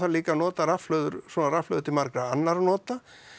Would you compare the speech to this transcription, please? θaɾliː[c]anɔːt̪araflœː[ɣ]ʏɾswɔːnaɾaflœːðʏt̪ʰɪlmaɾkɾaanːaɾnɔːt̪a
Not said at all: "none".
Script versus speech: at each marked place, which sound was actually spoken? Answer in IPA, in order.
k, ð

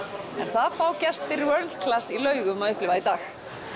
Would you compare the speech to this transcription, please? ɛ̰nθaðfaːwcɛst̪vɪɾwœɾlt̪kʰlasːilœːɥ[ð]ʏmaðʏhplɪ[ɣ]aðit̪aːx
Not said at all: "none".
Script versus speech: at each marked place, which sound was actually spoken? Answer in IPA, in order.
ɣ, v

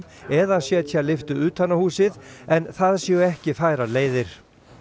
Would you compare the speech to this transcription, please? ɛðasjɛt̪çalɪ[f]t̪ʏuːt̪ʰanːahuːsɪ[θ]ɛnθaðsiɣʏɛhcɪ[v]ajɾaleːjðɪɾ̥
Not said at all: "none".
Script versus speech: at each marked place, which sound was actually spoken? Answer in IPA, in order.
f, ð, f

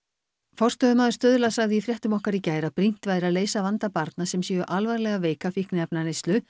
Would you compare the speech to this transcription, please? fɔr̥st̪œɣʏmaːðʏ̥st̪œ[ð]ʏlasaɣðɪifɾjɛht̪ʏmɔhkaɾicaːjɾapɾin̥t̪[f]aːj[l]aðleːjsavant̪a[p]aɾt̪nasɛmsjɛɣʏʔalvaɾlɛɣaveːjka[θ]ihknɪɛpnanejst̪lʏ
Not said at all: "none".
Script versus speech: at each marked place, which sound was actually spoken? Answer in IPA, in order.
ð, v, ɾ, p, f

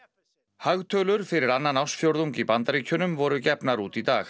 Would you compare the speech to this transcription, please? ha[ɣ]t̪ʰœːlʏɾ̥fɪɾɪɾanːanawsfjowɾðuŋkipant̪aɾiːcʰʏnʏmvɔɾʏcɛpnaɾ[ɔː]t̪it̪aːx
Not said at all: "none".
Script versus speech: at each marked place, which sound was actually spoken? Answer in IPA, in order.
ɣ, uː

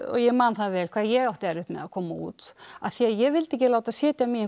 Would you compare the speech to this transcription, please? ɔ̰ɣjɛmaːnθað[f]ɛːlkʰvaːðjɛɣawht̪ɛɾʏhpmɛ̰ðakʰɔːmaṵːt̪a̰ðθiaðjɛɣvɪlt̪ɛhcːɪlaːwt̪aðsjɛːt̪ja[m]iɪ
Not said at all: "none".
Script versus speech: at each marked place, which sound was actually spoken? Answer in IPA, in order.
v, m

